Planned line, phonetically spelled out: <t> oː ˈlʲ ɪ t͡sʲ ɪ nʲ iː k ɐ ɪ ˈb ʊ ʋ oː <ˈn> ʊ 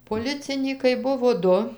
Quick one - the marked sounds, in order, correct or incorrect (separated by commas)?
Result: incorrect, incorrect